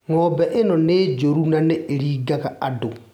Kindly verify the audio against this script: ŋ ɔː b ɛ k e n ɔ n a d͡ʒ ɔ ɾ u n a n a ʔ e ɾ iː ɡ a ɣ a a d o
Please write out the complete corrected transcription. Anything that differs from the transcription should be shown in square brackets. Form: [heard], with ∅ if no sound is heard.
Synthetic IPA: ŋ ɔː b ɛ [ʔ] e n ɔ n [e] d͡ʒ [o] ɾ u n a n [e] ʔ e ɾ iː ɡ a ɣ a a d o